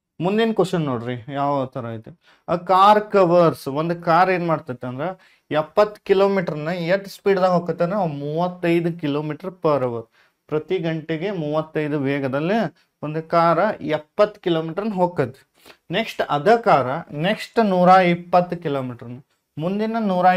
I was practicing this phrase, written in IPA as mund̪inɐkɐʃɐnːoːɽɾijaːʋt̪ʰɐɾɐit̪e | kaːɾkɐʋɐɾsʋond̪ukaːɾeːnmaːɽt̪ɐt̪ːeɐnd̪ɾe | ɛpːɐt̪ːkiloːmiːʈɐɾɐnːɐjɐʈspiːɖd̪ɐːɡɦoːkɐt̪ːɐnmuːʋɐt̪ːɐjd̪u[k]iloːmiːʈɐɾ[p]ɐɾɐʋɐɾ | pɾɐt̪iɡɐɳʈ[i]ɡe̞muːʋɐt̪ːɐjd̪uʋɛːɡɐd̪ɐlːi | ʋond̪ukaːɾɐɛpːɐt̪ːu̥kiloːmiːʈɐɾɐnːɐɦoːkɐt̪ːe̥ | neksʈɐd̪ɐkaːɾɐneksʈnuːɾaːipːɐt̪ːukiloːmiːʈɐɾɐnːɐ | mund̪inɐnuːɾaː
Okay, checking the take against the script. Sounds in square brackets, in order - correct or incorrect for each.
correct, correct, incorrect: e

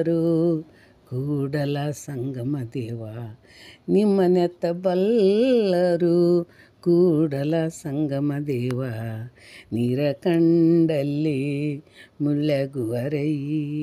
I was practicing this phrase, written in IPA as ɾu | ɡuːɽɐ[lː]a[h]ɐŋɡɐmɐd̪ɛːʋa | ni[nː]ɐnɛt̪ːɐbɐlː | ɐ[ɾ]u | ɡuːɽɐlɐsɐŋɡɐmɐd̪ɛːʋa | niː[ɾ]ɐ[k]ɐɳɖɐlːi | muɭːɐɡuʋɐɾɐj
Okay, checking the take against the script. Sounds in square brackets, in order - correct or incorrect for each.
incorrect: l, incorrect: s, incorrect: mː, correct, correct, correct

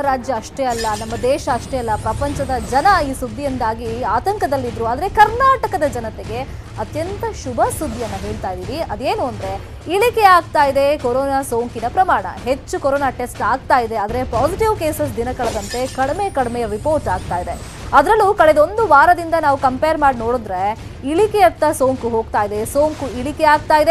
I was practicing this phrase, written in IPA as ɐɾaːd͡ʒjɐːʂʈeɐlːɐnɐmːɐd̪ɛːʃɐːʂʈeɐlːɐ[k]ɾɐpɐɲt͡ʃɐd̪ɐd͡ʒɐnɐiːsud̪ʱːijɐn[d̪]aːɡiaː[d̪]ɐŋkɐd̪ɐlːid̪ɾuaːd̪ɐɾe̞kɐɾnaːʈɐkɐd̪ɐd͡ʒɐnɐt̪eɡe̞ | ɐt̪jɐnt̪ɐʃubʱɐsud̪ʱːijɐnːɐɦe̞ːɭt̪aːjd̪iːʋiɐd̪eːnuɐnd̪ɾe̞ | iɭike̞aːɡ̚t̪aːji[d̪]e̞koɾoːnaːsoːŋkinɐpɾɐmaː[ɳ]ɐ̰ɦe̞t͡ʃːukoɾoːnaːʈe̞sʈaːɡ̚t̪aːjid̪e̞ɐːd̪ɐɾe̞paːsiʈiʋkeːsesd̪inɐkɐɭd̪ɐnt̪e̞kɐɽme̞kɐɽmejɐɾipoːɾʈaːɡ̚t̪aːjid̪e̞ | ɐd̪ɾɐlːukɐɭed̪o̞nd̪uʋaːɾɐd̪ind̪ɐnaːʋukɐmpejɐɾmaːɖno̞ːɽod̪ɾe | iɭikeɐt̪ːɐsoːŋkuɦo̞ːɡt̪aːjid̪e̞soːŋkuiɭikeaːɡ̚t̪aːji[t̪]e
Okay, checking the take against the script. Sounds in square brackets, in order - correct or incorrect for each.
incorrect: p, correct, incorrect: t̪, correct, correct, incorrect: d̪

